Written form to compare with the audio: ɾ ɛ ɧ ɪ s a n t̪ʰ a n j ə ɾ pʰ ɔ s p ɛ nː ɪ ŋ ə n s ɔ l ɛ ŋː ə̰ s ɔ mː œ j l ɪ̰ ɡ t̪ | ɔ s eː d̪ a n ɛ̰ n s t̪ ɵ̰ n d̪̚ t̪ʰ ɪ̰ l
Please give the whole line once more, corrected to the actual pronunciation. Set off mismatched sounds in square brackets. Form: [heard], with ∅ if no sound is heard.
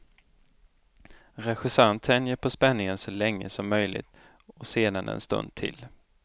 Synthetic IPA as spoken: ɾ ɛ ɧ ɪ s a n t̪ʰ [ɛ] n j ə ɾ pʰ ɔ s p ɛ nː ɪ ŋ ə n s ɔ l ɛ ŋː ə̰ s ɔ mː œ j l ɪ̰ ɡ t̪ | ɔ s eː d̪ a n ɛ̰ n s t̪ ɵ̰ n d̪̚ t̪ʰ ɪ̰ l